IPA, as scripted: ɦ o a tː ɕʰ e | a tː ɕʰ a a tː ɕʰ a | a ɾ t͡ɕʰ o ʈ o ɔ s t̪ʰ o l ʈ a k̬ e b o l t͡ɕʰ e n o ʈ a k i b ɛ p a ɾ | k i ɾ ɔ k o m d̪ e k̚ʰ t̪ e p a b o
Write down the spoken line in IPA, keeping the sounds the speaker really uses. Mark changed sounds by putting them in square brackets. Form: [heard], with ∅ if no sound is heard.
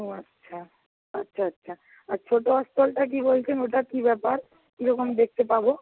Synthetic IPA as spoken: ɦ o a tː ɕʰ [a] | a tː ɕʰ a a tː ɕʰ a | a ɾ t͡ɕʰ o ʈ o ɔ s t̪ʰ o l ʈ a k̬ [i] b o l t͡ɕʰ e n o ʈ a k i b ɛ p a ɾ | k i ɾ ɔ k o m d̪ e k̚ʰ t̪ e p a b o